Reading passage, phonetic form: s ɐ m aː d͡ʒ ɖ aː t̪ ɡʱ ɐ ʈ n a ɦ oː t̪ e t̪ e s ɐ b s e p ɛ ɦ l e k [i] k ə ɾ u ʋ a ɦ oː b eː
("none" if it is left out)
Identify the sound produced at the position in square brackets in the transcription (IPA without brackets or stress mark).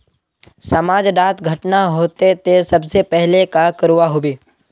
a